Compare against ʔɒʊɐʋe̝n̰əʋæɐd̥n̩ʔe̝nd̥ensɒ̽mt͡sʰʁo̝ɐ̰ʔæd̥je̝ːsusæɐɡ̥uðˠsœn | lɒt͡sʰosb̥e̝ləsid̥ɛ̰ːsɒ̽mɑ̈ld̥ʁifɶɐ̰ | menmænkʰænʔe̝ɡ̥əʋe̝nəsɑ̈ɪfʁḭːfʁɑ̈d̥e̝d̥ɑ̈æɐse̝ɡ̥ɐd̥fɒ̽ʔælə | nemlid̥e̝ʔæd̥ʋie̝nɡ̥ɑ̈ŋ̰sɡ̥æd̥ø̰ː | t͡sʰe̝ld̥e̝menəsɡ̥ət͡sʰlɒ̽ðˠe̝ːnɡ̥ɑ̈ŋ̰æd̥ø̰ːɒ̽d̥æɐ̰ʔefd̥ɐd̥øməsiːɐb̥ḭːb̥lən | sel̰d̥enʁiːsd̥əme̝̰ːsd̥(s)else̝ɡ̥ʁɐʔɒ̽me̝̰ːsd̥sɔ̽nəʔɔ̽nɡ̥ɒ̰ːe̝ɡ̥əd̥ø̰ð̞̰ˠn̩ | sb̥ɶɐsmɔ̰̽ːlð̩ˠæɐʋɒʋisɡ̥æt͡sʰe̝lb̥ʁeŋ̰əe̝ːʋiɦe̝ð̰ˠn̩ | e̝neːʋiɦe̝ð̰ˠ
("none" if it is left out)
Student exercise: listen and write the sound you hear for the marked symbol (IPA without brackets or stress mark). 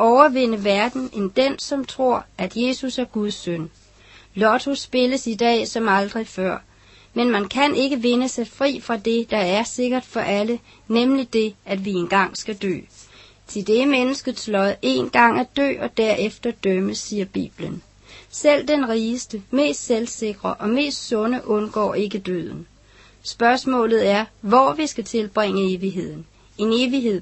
s